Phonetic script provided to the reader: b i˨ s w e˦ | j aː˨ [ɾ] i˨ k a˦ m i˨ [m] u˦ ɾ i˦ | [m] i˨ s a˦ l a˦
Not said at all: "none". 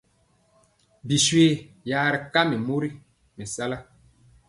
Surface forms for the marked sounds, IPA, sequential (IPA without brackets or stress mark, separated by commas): ɾ, m, m